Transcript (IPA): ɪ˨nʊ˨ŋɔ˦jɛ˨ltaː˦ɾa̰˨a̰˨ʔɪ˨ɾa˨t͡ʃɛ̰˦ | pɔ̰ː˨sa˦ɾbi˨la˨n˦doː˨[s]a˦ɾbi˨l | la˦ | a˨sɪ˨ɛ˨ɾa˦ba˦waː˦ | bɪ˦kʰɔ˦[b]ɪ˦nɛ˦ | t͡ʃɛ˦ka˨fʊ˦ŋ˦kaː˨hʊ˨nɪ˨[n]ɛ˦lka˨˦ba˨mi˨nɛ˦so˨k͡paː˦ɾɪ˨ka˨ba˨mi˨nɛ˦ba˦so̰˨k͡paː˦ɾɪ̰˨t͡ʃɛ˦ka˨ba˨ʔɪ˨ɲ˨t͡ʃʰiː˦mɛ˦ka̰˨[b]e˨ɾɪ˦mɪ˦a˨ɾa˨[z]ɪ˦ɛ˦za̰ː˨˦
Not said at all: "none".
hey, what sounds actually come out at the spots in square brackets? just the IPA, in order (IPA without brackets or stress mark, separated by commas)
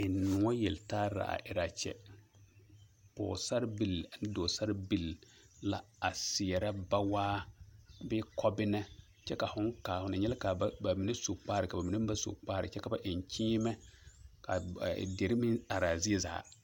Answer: s, b, ɲ, d, z